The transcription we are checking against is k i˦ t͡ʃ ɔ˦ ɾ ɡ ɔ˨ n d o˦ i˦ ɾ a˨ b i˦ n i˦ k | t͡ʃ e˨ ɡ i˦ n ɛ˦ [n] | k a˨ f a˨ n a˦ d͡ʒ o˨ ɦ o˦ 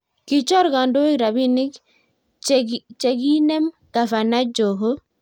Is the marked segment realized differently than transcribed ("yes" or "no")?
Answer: yes